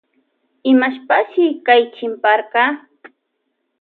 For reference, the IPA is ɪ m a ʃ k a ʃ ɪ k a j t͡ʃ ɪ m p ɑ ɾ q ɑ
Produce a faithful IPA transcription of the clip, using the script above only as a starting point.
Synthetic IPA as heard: ɪ m a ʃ p a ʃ ɪ k a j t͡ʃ ɪ m p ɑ ɾ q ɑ